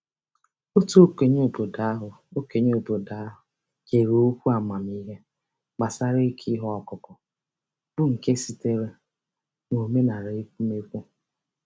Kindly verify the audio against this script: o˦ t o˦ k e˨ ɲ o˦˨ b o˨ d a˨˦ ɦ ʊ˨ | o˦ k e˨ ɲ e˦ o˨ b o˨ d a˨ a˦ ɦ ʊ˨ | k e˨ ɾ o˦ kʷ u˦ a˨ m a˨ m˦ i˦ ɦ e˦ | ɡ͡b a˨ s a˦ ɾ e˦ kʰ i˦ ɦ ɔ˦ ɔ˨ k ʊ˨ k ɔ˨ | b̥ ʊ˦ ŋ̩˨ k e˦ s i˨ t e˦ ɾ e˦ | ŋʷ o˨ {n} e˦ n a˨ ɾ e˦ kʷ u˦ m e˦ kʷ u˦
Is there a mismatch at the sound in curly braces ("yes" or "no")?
yes